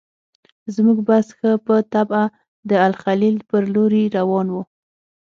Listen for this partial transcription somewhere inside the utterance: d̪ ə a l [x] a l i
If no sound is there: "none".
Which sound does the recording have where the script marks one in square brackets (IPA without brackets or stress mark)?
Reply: x